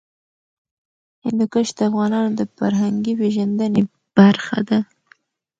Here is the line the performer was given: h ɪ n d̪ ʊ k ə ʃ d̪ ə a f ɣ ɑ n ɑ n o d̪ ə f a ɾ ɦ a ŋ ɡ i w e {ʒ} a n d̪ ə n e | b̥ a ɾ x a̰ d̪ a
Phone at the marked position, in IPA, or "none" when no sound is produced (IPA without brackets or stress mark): ʒ